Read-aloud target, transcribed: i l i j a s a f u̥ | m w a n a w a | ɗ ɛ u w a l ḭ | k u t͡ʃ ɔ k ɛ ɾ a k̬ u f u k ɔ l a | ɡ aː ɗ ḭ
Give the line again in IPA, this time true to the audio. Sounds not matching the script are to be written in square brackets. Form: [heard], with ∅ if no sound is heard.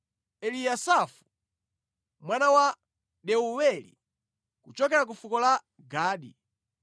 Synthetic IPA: [ɛ] l i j a s a f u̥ | m w a n a w a | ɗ ɛ u w [ɛ] l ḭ | k u t͡ʃ ɔ k ɛ ɾ a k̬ u f u k ɔ l a | ɡ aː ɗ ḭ